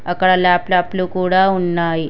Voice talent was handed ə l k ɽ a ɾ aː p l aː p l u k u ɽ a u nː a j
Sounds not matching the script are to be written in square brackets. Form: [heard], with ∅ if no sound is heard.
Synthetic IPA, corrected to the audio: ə [∅] k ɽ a [l] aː p l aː p l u k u ɽ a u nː a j

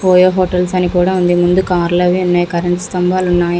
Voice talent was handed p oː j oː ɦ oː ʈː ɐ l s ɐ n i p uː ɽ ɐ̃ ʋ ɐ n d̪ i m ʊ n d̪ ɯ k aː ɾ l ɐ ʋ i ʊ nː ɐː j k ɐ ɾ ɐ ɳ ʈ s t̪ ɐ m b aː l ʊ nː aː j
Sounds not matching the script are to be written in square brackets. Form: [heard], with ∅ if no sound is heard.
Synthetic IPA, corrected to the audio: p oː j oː ɦ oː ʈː ɐ l s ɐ n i [k] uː ɽ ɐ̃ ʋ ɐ n d̪ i m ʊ n d̪ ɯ k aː ɾ l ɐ ʋ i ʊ nː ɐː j k ɐ ɾ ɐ ɳ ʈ s t̪ ɐ m b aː l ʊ nː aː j

